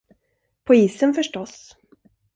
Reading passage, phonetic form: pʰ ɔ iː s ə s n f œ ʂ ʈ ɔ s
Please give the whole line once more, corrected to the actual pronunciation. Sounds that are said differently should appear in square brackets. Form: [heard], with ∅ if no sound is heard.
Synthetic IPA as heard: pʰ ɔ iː s ə [∅] n f œ ʂ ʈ ɔ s